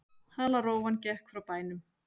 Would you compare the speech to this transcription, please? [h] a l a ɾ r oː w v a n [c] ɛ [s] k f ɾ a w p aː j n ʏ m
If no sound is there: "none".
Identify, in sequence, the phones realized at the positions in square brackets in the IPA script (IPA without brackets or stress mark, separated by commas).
h, c, h